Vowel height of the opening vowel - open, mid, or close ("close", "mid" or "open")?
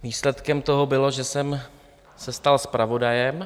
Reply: close